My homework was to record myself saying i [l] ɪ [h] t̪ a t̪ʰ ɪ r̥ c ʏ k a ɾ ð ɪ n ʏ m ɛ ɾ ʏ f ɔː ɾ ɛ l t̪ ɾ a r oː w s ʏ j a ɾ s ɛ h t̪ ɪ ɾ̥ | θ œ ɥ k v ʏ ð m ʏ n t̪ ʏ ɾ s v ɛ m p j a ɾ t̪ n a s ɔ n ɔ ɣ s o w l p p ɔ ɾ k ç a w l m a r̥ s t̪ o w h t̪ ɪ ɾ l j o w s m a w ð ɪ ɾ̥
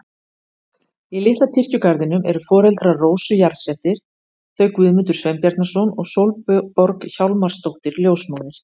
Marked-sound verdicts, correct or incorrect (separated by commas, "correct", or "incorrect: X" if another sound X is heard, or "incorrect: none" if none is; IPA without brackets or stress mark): correct, correct